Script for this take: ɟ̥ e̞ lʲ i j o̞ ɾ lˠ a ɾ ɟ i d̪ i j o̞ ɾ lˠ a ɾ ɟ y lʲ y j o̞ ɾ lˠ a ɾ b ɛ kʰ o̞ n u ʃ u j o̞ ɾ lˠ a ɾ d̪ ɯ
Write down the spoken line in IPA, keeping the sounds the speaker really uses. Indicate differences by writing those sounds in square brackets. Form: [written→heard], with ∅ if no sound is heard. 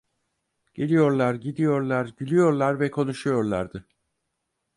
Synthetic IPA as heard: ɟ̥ e̞ lʲ i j o̞ ɾ lˠ a ɾ ɟ i d̪ i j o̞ ɾ lˠ a ɾ ɟ y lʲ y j o̞ ɾ lˠ a ɾ [b→v] ɛ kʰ o̞ n u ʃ u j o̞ ɾ lˠ a ɾ d̪ ɯ